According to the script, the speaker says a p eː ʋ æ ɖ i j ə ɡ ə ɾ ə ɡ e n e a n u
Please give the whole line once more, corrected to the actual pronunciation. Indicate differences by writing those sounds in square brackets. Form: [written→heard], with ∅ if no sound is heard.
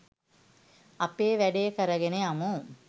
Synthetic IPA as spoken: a p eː ʋ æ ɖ [i→e] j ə [ɡ→k] ə ɾ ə ɡ e n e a [n→m] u